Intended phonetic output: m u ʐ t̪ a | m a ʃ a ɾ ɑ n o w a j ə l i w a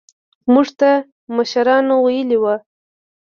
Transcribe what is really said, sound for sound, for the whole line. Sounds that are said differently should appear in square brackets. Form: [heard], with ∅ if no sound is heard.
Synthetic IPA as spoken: m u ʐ t̪ a | m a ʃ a ɾ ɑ n o w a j ə l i w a